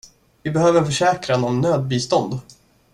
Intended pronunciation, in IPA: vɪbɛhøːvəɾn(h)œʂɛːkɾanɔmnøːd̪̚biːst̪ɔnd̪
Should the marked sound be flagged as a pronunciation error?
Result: yes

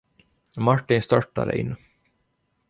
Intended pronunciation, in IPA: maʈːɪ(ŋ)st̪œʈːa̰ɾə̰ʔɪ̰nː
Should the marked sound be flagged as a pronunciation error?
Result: yes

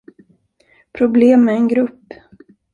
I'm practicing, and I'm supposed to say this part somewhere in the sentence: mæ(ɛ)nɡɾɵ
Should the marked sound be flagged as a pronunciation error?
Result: no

